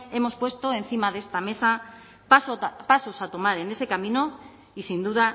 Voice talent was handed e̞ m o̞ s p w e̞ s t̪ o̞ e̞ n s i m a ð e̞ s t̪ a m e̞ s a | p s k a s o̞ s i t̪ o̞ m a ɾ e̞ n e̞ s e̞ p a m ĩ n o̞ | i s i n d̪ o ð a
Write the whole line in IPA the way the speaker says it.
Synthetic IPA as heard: e̞ m o̞ s p w e̞ s t̪ o̞ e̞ n θ i m a ð e̞ s t̪ a m e̞ s a | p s p a s o̞ s a t̪ o̞ m a ɾ e̞ n e̞ s e̞ k a m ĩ n o̞ | i s i n d̪ u ð a